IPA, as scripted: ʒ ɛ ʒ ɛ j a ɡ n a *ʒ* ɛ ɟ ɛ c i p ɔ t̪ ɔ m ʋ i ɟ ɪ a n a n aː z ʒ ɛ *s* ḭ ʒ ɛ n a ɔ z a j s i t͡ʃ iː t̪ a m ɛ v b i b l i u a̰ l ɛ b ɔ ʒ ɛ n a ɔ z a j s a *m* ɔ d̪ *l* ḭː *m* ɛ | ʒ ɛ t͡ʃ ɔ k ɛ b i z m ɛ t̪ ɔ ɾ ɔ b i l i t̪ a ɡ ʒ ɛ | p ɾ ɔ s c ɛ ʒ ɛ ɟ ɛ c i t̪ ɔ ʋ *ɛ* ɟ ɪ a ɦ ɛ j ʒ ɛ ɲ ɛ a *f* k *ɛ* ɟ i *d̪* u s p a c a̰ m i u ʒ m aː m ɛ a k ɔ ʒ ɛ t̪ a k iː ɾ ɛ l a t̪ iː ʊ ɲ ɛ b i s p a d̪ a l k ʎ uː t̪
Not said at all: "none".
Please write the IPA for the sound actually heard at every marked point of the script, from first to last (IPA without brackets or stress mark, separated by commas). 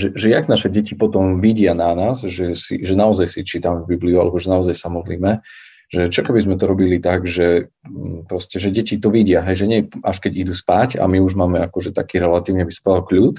ʃ, s, m, l, m, i, ʃ, ɛ, d̪